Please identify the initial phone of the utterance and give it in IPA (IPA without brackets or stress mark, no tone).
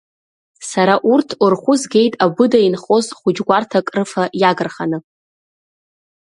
s